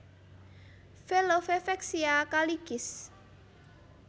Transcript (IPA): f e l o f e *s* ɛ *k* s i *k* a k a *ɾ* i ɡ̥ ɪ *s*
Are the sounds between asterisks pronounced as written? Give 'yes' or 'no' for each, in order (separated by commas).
no, yes, no, no, yes